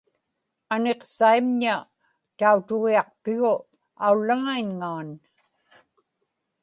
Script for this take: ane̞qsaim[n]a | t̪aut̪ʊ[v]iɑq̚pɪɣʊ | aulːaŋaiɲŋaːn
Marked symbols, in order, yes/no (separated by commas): no, no